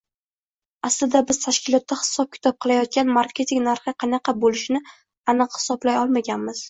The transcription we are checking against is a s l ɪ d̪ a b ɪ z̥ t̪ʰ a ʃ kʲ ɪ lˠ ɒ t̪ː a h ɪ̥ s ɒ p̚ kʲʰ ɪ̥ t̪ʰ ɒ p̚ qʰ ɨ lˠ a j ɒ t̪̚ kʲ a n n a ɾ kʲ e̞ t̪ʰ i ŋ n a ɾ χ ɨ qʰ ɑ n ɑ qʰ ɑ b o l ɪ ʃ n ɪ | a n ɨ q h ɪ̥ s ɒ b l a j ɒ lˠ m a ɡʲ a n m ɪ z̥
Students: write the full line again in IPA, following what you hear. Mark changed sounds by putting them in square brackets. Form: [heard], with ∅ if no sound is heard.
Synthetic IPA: a s l ɪ d̪ a b ɪ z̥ t̪ʰ a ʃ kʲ ɪ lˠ ɒ t̪ː a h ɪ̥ s ɒ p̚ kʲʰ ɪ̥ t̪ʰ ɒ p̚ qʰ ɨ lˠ a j ɒ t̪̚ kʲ a n [m] a ɾ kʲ e̞ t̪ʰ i ŋ n a ɾ χ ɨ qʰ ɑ n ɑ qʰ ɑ b o l ɪ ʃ n ɪ | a n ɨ q h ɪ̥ s ɒ b l a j ɒ lˠ m a ɡʲ a n m ɪ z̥